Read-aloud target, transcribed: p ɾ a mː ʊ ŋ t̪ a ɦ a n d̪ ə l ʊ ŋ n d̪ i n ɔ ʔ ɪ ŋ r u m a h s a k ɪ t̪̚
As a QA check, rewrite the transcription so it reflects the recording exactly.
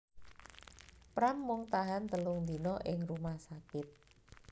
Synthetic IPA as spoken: p ɾ a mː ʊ ŋ t̪ a ɦ a n t̪ ə l ʊ ŋ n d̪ i n ɔ ʔ ɪ ŋ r u m a h s a k ɪ t̪̚